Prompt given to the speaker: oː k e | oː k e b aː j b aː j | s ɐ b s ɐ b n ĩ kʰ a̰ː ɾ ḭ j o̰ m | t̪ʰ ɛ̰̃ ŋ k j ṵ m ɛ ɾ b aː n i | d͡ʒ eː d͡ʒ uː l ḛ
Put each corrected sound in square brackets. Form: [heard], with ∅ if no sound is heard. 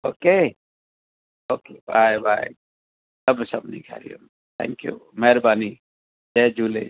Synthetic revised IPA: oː k e | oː k e b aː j b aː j | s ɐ b s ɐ b n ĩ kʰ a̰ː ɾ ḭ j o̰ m | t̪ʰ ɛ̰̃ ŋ k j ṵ m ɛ ɾ b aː n i | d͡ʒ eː d͡ʒ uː l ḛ